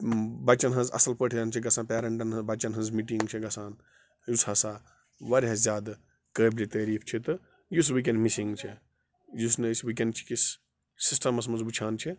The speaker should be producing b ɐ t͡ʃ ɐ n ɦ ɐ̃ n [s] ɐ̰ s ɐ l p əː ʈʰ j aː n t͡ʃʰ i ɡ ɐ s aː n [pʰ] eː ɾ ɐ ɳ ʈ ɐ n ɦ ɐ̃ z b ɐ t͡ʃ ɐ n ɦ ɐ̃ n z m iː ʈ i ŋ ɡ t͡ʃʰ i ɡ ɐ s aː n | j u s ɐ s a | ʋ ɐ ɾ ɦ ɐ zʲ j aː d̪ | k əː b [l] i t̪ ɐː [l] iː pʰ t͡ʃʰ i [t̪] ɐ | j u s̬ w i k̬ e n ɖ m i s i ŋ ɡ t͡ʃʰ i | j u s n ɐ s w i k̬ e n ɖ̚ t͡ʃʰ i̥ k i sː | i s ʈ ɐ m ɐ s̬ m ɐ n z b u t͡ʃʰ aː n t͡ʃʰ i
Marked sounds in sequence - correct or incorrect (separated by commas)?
incorrect, incorrect, correct, incorrect, correct